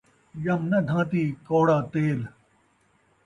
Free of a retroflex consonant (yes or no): no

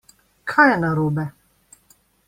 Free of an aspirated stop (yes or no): no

